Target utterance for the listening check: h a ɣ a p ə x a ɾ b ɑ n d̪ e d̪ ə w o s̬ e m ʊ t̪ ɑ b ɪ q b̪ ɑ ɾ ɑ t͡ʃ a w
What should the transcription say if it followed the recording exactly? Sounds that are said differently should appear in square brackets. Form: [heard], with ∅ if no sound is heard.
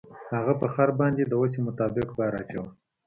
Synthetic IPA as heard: h a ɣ a p ə x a ɾ b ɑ n d̪ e d̪ ə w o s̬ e m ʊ t̪ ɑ b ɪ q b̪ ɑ ɾ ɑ t͡ʃ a w